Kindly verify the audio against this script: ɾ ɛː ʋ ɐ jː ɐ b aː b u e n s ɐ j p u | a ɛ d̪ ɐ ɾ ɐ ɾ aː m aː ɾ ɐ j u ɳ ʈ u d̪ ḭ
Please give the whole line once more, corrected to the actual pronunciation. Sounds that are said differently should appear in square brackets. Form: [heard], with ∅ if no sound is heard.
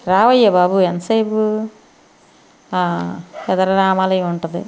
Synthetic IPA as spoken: ɾ [aː] ʋ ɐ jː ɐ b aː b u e n s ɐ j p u | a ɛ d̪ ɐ ɾ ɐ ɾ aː m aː [l] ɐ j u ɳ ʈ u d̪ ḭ